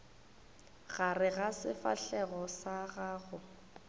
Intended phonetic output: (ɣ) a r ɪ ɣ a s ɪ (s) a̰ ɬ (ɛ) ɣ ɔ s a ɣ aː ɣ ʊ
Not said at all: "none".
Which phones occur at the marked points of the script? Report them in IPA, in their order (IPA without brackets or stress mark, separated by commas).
ɣ, f, ɛ